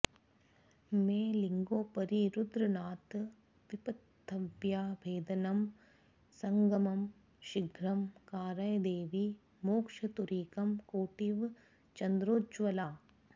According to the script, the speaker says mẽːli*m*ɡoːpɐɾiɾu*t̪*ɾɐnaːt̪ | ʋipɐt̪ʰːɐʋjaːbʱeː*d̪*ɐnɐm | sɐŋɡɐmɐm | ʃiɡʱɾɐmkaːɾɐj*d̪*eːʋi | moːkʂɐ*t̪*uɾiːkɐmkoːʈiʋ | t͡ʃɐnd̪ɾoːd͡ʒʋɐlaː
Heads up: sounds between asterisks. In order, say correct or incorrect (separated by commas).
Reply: incorrect, incorrect, correct, correct, correct